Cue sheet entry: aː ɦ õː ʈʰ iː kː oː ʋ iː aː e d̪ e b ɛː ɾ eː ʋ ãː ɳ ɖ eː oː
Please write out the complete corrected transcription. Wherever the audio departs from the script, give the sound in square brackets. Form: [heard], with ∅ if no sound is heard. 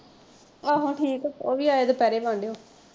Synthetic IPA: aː ɦ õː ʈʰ iː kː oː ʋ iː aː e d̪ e [p] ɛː ɾ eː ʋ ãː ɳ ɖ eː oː

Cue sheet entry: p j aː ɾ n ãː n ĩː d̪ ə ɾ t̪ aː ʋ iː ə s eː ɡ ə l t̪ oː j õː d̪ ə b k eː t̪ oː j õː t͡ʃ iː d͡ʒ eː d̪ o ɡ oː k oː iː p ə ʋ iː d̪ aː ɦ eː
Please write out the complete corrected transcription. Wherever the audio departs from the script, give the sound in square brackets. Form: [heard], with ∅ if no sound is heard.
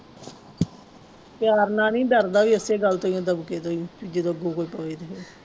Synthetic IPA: p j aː ɾ n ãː n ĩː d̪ ə ɾ [d̪] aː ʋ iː ə s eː ɡ ə l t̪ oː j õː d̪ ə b k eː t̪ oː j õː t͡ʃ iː d͡ʒ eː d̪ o ɡ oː k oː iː p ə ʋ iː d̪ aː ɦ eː

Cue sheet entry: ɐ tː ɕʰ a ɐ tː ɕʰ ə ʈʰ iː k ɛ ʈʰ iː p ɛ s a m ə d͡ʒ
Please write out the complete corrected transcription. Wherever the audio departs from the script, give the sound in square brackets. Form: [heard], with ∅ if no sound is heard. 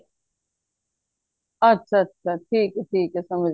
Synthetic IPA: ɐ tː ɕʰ a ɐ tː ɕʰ [a] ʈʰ iː k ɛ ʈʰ iː [k] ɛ s [ɐ] m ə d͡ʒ

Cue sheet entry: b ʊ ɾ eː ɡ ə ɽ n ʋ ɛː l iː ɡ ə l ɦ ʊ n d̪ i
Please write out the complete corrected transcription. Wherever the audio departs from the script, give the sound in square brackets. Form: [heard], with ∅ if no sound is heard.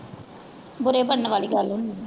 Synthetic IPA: b ʊ ɾ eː [b] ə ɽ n ʋ [aː] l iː ɡ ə l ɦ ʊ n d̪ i

